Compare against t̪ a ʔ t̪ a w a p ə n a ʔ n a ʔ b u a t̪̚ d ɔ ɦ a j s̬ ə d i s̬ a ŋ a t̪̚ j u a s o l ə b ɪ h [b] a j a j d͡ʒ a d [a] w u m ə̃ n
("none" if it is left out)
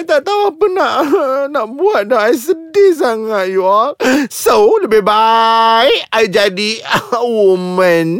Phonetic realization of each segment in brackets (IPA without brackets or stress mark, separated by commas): b, i